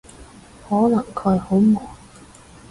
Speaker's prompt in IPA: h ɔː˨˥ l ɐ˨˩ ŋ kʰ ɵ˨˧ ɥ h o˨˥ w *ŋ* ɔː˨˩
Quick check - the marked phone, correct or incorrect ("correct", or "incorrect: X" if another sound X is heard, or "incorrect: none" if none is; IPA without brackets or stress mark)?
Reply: incorrect: m